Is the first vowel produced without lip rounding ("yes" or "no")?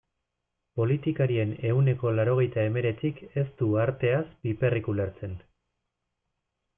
no